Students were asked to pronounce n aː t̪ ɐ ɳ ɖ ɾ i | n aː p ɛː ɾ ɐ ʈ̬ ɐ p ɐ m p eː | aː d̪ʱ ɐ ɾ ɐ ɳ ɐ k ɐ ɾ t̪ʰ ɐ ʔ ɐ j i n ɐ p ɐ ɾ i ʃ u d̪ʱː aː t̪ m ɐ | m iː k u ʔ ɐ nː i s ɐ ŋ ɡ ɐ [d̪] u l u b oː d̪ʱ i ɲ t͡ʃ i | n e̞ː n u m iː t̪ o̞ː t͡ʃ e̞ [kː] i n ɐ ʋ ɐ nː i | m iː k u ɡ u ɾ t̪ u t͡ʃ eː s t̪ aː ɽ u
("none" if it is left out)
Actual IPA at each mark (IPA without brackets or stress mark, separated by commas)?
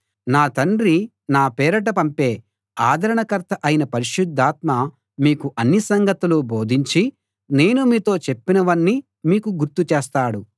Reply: t̪, pː